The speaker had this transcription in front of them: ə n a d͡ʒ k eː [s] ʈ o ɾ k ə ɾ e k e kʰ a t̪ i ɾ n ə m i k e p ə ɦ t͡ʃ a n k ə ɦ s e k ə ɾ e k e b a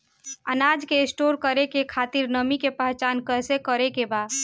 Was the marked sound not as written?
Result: no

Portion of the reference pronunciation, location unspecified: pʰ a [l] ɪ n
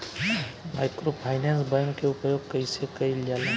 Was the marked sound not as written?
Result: yes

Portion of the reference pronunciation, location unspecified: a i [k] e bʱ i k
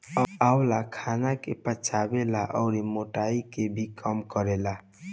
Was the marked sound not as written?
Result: no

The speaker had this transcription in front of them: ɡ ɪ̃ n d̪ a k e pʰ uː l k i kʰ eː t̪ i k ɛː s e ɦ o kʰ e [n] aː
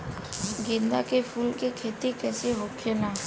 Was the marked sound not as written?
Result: no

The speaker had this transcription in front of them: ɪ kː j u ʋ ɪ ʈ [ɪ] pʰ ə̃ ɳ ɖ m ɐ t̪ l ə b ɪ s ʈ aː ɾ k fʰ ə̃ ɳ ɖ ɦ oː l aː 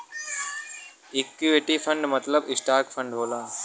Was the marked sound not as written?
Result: yes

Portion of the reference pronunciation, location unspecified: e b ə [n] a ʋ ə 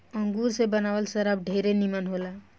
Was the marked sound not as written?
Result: no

